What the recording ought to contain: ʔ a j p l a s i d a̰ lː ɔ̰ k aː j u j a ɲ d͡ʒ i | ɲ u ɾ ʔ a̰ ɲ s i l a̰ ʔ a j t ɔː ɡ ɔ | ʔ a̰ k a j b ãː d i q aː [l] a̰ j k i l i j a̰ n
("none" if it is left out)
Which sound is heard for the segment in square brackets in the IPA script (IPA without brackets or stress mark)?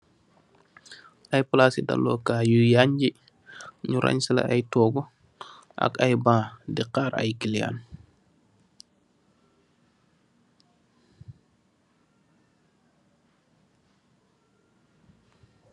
ɾ